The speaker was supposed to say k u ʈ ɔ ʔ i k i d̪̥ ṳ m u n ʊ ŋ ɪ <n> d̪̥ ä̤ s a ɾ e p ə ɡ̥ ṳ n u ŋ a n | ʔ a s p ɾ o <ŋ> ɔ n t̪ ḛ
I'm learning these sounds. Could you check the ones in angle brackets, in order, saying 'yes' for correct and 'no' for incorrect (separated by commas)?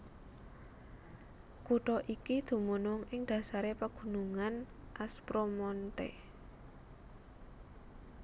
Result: no, no